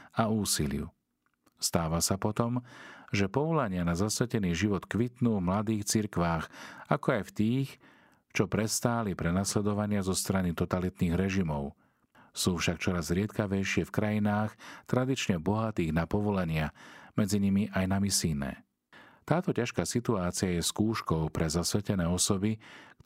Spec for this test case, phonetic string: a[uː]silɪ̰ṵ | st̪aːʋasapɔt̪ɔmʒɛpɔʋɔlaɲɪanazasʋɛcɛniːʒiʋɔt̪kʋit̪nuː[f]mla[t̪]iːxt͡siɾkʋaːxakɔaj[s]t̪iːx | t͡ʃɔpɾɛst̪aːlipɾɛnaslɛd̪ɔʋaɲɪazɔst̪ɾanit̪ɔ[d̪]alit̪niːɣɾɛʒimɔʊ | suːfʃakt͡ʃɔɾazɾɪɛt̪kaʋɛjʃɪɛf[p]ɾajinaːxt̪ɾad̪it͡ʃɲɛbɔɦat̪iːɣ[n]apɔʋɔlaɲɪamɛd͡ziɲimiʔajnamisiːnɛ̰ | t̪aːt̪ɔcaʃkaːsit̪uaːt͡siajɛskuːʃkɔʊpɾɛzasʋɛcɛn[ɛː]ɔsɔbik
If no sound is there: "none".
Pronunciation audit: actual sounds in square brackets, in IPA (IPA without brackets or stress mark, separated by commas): uː, v, d̪, f, t̪, k, n, ɛː